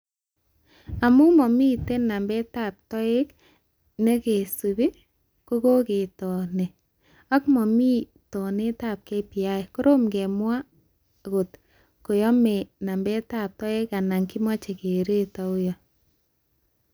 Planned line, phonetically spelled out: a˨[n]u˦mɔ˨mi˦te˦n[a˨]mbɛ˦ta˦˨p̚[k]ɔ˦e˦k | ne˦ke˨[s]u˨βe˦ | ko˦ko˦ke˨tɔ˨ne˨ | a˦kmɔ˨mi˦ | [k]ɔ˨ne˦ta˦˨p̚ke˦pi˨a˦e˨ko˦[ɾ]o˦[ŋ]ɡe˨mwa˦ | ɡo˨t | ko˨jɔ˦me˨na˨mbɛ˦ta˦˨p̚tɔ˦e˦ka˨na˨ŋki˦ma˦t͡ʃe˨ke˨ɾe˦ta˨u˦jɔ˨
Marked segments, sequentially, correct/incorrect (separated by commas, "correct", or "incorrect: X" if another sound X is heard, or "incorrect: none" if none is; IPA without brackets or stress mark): incorrect: m, correct, incorrect: t, correct, incorrect: t, correct, incorrect: m